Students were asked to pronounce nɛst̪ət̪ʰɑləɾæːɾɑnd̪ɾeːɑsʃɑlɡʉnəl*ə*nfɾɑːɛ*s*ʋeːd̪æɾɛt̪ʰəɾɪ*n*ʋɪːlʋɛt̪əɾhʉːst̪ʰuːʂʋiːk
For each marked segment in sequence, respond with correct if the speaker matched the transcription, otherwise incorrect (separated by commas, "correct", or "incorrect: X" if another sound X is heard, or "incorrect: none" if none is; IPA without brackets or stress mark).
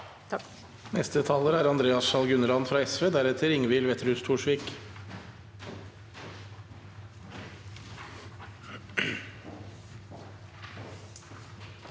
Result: incorrect: ɑ, correct, incorrect: ŋ